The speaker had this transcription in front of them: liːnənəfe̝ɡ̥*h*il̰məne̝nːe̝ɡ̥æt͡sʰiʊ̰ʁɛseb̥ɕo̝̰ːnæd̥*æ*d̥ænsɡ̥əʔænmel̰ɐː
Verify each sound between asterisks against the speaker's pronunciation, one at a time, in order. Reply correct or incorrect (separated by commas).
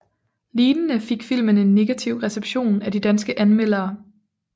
incorrect, incorrect